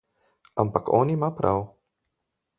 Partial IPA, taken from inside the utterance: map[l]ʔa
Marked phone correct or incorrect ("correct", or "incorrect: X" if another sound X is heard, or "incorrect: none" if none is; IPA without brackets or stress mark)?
incorrect: ɾ